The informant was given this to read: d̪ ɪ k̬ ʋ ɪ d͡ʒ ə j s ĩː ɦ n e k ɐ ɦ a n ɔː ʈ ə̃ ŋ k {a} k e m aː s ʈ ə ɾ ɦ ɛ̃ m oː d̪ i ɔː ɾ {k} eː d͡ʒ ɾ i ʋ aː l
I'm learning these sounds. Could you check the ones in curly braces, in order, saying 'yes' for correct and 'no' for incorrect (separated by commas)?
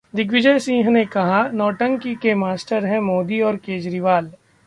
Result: no, yes